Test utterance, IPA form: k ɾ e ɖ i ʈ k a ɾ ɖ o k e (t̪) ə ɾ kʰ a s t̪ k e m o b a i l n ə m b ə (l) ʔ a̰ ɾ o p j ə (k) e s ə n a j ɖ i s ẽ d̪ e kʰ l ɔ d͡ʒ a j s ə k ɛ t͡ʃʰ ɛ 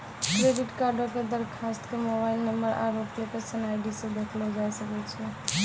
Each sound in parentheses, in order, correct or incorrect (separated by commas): incorrect, incorrect, correct